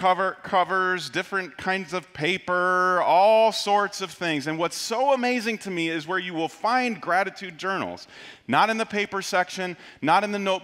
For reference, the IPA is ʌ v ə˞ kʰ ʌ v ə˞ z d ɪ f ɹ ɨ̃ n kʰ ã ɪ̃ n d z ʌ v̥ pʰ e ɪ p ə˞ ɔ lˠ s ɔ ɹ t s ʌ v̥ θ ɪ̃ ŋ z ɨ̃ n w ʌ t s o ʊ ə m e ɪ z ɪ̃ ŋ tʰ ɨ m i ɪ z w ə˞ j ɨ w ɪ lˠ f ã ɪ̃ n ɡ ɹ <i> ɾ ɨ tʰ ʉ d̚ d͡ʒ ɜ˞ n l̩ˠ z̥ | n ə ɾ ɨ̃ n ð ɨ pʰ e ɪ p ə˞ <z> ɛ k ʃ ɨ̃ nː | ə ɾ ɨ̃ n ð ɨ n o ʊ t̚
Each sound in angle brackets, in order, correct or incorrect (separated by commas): incorrect, incorrect